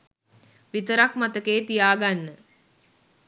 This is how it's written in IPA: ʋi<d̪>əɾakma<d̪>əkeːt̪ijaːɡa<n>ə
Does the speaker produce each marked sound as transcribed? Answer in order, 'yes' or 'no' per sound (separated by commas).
no, no, no